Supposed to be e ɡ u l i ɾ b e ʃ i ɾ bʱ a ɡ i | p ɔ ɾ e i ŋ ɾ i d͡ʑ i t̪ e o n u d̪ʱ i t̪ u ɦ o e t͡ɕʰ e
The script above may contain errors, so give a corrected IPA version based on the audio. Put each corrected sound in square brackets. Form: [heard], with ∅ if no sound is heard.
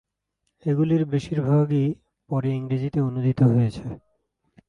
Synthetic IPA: e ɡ u l i ɾ b e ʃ i ɾ bʱ a ɡ i | p ɔ ɾ e i ŋ ɾ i d͡ʑ i t̪ e o n u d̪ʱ i t̪ [o] ɦ o e t͡ɕʰ e